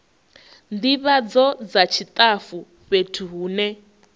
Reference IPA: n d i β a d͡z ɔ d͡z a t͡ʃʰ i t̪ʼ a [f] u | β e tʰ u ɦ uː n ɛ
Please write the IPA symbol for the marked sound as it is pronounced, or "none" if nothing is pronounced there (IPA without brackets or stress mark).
f